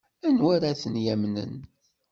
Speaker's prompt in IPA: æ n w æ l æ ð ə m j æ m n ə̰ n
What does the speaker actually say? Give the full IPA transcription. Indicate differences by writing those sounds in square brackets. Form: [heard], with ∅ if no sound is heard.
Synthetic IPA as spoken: æ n w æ [ɾ] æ [θ] ə [n] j æ m n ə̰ n